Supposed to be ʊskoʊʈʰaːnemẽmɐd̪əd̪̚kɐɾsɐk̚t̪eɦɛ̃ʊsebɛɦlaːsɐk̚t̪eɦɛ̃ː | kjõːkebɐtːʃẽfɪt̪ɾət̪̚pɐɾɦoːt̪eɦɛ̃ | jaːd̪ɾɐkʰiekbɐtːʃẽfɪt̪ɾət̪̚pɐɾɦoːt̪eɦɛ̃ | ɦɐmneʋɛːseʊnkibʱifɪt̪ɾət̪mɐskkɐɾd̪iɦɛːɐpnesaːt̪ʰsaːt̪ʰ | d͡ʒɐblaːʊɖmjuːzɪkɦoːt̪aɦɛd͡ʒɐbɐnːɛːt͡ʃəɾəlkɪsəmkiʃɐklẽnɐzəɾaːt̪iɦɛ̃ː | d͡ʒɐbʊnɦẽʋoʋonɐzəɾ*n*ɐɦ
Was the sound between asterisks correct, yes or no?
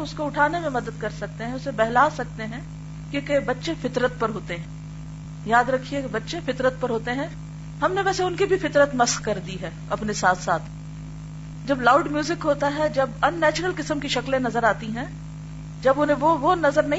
yes